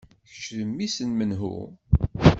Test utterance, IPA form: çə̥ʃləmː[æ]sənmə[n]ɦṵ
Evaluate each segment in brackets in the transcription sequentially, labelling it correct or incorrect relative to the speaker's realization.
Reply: incorrect: i, correct

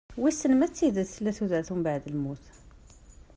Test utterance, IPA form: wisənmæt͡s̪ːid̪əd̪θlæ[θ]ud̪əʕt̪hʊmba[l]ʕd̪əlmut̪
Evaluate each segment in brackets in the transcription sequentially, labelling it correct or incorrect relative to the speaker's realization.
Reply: correct, incorrect: none

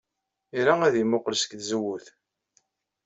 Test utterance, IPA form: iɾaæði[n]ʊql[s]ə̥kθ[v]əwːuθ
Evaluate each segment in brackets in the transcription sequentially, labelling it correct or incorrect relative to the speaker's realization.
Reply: incorrect: m, correct, incorrect: z

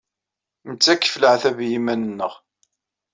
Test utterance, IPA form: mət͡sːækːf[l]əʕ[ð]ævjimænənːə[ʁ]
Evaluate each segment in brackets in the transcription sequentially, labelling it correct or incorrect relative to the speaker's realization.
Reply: correct, incorrect: θ, correct

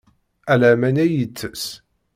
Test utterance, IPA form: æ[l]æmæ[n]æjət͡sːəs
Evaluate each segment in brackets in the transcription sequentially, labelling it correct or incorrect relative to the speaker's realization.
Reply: correct, correct

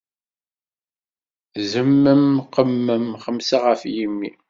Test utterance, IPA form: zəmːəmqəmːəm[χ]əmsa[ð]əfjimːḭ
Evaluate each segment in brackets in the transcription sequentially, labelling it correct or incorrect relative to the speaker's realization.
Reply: correct, incorrect: ʁ

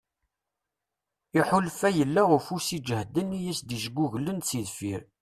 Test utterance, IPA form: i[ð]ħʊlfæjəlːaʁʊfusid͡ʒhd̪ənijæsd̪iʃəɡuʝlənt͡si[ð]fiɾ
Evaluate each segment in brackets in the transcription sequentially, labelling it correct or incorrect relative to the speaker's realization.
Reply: incorrect: none, correct

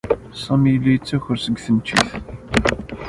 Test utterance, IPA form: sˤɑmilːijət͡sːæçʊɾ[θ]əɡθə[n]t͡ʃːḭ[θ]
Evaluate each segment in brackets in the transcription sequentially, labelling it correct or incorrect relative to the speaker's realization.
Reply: incorrect: s, correct, correct

